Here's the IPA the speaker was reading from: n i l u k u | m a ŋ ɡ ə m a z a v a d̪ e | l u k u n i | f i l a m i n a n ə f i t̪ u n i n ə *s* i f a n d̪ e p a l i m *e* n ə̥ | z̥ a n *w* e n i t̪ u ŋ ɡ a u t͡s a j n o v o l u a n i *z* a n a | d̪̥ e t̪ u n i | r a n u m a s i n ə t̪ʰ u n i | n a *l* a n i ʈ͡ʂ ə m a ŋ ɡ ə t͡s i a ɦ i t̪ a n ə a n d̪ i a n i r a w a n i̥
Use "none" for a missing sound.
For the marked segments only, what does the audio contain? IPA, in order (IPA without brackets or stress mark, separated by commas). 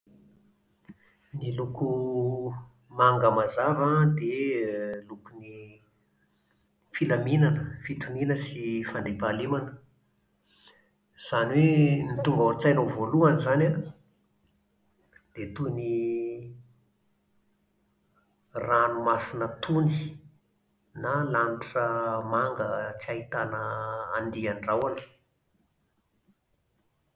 s, a, w, z, l